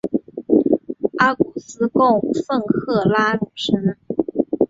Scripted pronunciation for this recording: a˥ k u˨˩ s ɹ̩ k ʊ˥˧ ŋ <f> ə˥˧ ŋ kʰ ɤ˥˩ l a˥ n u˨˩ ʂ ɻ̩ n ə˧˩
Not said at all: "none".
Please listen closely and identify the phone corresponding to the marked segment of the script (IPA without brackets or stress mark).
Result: f